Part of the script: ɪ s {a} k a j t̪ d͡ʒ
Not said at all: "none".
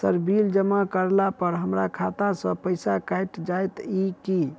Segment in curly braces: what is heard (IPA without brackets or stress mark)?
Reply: a